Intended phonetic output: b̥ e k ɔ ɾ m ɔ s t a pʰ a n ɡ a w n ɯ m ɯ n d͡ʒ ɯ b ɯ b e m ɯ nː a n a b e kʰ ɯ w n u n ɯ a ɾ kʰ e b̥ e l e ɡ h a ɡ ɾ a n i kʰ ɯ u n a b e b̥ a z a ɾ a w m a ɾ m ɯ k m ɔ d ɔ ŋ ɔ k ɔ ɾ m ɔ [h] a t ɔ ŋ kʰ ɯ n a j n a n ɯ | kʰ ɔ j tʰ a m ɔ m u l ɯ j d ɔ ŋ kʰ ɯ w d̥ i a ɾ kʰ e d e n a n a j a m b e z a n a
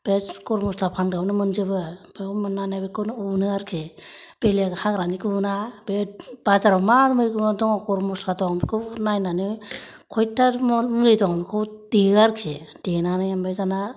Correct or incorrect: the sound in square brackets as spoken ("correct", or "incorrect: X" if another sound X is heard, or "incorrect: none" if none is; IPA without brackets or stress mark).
incorrect: s